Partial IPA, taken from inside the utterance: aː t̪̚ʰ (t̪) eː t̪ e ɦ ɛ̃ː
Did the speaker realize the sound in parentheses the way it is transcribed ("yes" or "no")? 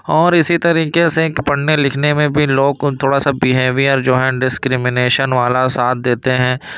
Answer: no